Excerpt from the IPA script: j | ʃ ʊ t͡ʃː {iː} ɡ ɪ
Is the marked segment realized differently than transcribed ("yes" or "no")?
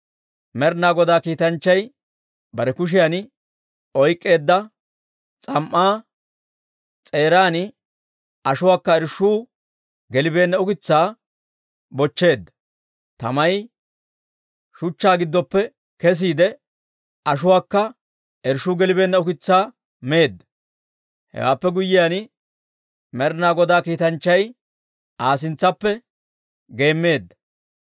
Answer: yes